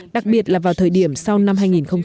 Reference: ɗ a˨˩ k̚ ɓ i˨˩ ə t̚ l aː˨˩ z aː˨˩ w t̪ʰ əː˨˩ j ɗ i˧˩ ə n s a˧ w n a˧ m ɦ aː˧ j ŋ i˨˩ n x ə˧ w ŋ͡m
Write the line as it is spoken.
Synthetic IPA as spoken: ɗ a˨˩ k̚ ɓ i˨˩ ə t̚ l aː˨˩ v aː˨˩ w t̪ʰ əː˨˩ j ɗ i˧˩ ə m s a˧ w n a˧ m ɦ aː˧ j ŋ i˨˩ n x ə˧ w ŋ͡m